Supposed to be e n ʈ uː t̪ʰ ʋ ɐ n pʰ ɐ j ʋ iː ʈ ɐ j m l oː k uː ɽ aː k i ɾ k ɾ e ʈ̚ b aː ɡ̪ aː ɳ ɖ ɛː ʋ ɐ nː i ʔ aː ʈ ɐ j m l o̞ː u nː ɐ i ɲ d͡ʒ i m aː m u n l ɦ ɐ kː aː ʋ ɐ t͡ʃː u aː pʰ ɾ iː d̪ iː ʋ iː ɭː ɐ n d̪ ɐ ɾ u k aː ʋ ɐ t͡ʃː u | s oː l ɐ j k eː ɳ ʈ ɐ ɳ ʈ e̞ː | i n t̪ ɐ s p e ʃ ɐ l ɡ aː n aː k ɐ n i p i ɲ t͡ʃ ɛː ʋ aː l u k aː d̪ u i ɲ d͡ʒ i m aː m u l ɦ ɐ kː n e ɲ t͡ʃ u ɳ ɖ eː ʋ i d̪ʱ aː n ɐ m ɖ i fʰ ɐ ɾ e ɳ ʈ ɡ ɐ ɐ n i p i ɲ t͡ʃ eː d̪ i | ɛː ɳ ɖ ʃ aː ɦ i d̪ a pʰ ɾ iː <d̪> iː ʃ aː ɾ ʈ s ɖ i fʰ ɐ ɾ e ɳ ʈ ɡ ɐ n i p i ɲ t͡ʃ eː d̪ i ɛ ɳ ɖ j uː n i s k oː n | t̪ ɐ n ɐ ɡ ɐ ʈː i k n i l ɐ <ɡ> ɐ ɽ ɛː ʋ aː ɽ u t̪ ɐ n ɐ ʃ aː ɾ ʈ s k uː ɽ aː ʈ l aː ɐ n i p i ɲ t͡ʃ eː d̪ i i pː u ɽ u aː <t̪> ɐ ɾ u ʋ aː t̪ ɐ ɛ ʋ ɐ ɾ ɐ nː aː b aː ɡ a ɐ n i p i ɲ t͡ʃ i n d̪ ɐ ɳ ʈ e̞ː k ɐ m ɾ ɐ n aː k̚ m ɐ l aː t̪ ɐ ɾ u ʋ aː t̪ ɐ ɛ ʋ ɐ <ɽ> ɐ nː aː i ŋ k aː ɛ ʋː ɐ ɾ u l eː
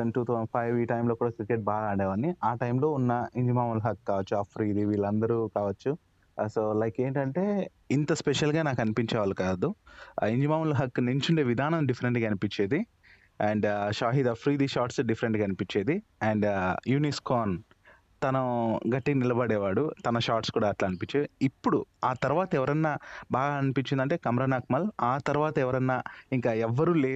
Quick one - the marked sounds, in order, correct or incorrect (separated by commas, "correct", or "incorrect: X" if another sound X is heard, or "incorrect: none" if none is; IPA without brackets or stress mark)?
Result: correct, incorrect: b, correct, incorrect: ɾ